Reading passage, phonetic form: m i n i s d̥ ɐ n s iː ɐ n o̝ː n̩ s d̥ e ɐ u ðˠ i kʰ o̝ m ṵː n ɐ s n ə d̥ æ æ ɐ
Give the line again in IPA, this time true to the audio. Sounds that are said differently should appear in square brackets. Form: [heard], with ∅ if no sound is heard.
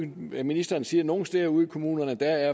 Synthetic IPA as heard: m i n i s d̥ ɐ n s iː ɐ n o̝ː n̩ s d̥ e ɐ u ðˠ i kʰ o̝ m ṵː n ɐ [∅] n ə d̥ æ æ ɐ